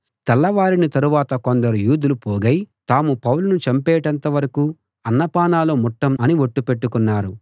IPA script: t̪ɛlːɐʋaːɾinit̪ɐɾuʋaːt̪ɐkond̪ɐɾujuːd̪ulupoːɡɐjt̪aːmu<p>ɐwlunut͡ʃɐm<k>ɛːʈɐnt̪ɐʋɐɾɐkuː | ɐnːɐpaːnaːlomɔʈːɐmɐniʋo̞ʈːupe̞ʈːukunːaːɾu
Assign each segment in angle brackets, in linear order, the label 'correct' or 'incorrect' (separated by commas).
correct, incorrect